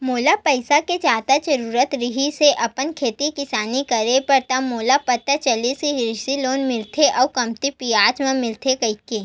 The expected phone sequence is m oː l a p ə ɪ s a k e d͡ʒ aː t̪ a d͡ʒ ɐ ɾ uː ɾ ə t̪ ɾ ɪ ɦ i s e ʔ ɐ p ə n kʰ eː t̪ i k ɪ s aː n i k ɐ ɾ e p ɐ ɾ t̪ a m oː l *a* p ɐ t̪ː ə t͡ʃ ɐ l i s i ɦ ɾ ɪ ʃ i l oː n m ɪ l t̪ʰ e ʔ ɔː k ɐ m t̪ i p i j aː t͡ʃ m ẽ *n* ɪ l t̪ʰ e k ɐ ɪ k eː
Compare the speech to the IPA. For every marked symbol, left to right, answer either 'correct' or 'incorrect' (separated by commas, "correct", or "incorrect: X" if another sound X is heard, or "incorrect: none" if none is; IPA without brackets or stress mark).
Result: correct, incorrect: m